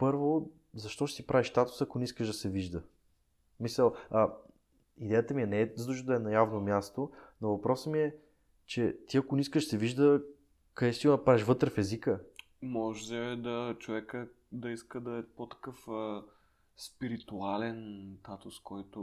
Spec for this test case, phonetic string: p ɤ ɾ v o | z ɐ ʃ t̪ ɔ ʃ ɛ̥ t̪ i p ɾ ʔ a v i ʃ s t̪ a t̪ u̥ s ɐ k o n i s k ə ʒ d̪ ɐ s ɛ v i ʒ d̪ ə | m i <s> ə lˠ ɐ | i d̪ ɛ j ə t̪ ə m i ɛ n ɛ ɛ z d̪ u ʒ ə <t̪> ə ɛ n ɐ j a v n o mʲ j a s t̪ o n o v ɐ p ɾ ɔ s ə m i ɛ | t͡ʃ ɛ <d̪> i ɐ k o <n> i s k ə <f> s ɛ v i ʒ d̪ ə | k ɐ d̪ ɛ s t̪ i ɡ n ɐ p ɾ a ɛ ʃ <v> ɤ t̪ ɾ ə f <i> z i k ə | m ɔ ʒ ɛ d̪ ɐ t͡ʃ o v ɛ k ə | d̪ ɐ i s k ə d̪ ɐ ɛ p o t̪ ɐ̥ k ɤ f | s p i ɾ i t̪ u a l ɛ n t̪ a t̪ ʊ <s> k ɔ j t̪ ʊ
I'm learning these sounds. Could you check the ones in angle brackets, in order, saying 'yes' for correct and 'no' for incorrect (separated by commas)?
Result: yes, no, no, yes, no, yes, no, yes